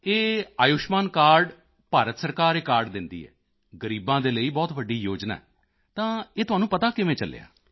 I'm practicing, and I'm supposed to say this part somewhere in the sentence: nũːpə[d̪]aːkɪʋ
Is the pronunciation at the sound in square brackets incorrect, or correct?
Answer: incorrect